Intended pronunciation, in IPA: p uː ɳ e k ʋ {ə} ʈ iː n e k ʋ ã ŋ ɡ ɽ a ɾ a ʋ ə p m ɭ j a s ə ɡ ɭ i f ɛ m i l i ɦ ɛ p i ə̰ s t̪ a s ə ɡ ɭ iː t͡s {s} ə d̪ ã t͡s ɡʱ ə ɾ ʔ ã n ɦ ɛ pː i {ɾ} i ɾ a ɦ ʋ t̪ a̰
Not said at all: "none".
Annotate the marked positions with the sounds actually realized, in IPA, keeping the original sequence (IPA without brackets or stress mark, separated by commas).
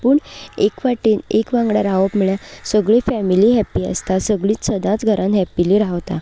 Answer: a, s, l